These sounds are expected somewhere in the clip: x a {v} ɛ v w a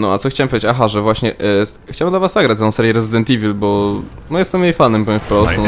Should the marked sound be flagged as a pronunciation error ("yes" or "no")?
yes